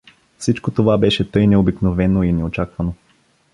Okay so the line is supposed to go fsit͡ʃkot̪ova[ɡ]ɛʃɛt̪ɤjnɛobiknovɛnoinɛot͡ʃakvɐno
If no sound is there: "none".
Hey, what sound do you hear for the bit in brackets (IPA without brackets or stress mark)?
b